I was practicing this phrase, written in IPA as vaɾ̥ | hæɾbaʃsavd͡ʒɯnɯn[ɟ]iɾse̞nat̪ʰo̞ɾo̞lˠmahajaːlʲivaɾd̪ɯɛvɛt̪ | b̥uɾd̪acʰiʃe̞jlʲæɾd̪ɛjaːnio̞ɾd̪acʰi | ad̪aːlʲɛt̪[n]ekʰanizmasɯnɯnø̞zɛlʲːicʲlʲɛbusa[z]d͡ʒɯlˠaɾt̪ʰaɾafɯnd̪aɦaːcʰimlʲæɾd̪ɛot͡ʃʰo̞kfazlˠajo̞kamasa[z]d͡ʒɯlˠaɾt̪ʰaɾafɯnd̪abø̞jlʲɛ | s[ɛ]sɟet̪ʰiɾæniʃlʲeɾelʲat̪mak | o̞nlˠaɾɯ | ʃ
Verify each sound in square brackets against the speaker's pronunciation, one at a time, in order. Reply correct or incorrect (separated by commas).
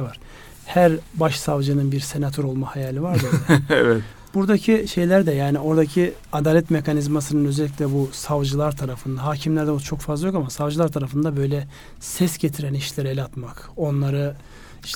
incorrect, incorrect, incorrect, incorrect, correct